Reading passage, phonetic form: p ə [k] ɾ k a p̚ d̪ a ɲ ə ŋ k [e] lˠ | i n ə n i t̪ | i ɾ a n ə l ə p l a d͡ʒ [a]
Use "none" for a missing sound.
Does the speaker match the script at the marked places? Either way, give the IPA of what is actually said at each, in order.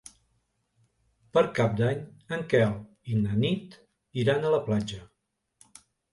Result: none, ɛ, ə

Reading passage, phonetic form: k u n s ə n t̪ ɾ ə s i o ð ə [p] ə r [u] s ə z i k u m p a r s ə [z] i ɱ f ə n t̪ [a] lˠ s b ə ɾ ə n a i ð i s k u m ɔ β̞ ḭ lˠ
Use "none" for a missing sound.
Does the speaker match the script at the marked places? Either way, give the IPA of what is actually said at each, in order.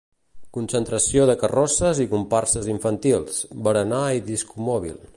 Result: k, ɔ, z, i

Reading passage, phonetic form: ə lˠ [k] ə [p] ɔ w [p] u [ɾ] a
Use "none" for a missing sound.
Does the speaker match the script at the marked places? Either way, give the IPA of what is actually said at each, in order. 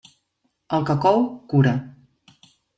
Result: k, k, k, ɾ

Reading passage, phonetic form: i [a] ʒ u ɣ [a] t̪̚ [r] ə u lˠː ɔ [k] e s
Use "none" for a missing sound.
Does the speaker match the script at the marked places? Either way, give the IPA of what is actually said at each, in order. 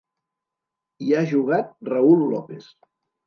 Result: a, a, r, p

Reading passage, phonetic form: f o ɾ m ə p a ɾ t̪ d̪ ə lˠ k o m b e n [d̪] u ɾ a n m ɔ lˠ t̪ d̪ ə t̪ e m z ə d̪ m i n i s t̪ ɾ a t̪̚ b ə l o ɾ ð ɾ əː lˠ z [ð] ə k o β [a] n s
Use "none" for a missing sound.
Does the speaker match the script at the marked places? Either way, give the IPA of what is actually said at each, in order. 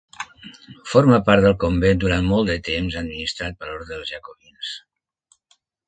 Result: d̪, ʒ, i

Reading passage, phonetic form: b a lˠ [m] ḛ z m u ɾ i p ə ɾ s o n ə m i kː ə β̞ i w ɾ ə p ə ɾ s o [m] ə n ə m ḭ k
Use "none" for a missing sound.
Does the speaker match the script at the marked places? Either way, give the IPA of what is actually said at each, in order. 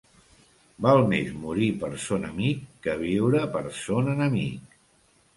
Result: m, n

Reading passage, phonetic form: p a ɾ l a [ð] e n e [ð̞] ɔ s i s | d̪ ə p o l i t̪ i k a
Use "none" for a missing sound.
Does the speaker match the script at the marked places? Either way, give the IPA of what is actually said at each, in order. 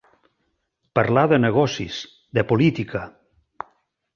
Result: ð, ɣ̞

